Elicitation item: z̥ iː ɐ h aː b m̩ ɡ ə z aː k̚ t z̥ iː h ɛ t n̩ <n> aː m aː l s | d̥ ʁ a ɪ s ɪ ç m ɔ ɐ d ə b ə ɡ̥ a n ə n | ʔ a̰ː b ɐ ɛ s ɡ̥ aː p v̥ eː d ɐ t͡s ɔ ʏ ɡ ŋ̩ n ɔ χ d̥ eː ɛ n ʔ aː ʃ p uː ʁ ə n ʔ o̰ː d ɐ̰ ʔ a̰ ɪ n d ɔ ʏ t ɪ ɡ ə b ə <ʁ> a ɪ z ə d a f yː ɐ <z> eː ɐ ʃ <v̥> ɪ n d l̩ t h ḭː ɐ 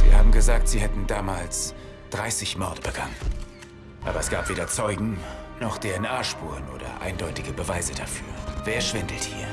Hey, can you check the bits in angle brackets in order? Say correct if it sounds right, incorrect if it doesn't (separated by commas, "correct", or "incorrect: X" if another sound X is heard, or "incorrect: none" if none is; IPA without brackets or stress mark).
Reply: incorrect: d, incorrect: v, incorrect: v, correct